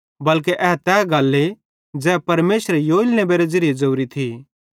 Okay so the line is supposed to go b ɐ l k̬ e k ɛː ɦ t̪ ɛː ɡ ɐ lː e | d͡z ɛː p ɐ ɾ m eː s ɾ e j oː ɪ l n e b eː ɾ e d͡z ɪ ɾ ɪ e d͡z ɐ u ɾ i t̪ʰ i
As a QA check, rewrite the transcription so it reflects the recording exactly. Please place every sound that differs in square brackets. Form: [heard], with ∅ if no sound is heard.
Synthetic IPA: b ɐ l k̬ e [ʔ] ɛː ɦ t̪ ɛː ɡ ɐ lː e | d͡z ɛː p ɐ ɾ m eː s ɾ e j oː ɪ l n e b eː ɾ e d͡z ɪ ɾ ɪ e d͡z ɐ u ɾ i t̪ʰ i